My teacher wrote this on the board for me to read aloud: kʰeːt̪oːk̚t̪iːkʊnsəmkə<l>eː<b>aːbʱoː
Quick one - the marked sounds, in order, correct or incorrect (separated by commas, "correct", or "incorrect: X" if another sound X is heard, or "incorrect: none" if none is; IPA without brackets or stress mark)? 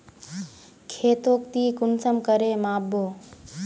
incorrect: ɾ, incorrect: m